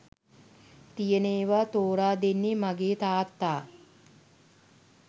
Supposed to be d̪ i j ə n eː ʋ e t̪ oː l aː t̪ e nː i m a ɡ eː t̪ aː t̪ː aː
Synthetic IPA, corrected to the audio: t̪ i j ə n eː ʋ a t̪ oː ɾ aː d̪ e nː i m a ɡ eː t̪ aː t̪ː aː